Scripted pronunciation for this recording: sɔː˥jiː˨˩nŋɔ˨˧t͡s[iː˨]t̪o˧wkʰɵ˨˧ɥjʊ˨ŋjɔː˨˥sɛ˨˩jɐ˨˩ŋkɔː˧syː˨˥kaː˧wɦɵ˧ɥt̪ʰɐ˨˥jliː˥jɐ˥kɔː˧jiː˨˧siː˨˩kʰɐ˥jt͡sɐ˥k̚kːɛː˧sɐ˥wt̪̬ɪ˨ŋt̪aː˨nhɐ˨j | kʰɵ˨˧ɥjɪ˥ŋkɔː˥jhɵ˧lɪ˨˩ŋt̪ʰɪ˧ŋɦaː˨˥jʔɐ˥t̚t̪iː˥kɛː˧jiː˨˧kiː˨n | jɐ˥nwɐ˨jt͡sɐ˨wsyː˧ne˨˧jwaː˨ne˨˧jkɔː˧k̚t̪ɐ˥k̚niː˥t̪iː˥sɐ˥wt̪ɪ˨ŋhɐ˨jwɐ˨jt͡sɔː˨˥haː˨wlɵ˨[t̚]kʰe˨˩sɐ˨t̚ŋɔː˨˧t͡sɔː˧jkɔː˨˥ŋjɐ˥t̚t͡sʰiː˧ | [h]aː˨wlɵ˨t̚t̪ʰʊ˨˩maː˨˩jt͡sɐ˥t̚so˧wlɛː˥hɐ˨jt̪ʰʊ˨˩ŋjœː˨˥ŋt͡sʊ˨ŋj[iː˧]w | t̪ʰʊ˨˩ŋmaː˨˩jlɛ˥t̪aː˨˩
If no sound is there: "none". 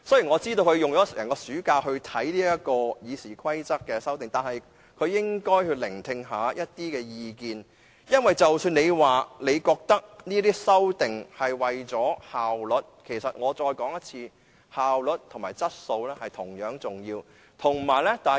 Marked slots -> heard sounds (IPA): iː˥, t̚, h, iː˧

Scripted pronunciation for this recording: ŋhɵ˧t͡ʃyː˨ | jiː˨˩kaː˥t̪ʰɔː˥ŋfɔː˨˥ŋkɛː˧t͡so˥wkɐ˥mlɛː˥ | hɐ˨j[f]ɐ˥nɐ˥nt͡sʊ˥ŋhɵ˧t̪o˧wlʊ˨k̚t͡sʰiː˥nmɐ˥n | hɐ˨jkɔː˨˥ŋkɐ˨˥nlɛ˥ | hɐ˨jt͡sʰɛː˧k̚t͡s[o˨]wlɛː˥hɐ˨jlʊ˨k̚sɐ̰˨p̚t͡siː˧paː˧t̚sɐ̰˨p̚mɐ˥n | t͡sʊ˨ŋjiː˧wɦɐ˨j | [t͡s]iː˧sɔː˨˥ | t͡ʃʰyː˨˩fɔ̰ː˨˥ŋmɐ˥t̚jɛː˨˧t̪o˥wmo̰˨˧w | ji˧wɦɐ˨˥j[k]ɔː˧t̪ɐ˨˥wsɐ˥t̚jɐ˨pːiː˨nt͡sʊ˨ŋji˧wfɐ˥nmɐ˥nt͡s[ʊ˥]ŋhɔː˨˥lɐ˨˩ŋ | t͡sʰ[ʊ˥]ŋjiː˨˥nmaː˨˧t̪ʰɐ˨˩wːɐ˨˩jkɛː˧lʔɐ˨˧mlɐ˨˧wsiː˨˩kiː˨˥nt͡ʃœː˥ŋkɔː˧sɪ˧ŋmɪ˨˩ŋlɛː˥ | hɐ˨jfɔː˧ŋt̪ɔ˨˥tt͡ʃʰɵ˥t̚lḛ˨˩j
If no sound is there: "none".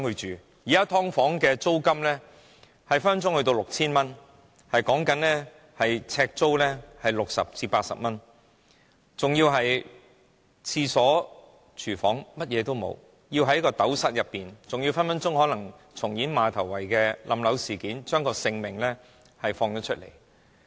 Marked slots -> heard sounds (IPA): f, o˥, t͡sʰ, k, ʊ˥, ʊ˨˩

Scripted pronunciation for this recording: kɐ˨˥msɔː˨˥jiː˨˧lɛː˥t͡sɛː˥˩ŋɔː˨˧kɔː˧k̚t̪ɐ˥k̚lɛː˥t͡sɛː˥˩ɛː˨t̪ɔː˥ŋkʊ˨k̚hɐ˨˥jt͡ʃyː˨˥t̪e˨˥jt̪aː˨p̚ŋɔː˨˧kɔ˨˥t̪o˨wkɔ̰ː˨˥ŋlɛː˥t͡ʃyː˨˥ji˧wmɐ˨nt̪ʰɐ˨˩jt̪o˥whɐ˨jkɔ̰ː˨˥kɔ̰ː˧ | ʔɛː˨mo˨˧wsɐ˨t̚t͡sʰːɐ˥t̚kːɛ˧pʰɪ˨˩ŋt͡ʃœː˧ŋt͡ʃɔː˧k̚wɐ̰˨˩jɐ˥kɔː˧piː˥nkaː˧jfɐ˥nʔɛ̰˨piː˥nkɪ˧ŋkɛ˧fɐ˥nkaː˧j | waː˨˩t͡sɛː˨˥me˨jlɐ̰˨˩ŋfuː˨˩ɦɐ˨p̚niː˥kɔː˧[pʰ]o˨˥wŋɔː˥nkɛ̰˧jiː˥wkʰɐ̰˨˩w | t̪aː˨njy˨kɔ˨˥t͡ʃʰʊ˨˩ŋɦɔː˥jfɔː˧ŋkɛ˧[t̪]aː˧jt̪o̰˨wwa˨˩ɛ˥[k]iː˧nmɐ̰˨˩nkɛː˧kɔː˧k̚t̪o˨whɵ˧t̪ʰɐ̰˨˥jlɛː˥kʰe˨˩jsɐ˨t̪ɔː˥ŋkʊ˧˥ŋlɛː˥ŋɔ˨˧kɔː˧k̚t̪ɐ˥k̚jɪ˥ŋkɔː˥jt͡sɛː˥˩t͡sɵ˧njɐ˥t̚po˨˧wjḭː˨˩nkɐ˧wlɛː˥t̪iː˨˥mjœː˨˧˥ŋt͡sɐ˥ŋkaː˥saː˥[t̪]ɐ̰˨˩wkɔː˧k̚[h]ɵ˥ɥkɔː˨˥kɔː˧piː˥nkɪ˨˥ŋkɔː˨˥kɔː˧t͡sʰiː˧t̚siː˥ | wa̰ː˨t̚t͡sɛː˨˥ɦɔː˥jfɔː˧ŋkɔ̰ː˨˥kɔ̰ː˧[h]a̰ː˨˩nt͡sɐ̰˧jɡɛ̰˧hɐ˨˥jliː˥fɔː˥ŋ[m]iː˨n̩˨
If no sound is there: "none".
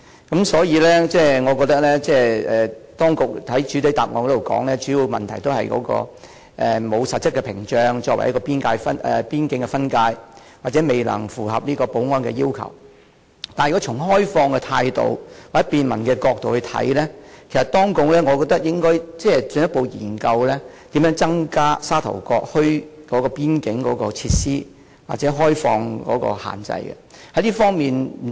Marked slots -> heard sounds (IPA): p, t̪ʰ, p, t̪ʰ, h, h, m

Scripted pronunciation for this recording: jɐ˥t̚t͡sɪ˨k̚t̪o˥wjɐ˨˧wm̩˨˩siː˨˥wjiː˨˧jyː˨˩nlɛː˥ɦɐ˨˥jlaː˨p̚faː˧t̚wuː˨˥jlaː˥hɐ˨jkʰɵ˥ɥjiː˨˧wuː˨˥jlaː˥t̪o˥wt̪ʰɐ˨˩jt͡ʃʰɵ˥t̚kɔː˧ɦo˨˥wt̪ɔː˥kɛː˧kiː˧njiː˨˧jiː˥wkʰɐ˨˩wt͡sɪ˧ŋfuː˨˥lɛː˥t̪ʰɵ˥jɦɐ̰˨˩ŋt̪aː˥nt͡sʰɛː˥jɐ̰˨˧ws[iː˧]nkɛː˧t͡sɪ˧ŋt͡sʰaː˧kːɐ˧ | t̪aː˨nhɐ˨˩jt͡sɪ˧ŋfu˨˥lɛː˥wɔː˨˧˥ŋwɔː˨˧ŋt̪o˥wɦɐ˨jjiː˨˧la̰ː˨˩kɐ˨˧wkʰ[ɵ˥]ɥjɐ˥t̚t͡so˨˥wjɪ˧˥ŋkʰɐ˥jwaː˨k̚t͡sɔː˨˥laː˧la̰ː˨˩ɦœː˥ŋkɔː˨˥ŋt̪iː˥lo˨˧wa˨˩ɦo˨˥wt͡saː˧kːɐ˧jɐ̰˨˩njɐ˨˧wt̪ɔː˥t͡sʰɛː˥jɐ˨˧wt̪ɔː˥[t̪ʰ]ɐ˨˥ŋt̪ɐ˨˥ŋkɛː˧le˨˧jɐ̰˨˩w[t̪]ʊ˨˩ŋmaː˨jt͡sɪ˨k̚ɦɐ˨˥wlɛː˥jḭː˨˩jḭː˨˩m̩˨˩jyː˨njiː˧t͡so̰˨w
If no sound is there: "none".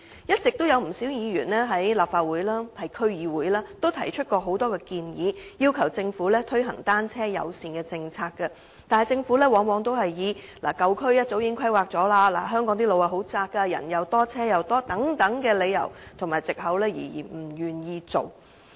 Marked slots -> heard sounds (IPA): iː˧, ɵ˥, t̪, t̪ʰ

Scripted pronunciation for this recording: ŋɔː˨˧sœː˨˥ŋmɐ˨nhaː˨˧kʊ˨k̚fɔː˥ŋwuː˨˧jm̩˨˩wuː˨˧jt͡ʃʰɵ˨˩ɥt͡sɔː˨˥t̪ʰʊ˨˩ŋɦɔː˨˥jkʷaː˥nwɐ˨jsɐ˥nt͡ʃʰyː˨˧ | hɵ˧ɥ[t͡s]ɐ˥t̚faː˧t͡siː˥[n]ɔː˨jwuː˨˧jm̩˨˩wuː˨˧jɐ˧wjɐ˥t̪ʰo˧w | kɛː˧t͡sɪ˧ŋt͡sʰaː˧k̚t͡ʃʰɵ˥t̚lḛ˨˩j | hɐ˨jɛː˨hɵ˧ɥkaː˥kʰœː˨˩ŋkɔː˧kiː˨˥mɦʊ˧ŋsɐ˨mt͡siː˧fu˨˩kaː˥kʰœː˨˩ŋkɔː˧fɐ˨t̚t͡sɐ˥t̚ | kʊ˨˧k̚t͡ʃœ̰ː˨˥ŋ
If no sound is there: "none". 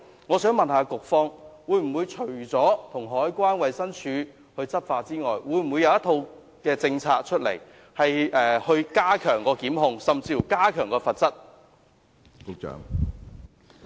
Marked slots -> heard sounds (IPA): t͡s, ŋ

